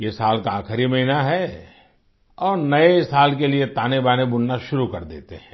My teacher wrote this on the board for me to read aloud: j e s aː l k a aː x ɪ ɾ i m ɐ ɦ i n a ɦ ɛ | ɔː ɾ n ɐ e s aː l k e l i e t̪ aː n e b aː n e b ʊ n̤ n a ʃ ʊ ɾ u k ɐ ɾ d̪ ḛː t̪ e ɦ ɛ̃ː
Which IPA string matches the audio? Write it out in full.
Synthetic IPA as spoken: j e s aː l k a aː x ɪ ɾ i m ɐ ɦ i n a ɦ ɛ | ɔː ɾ n ɐ e s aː l k e l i e t̪ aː n e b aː n e b ʊ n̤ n a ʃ ʊ ɾ u k ɐ ɾ d̪ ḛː t̪ e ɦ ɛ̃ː